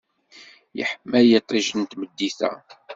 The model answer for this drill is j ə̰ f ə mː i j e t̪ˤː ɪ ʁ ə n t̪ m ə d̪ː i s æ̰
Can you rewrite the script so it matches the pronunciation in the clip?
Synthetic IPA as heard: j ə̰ ħ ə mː æ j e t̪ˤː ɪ ʒ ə n t̪ m ə d̪ː i θ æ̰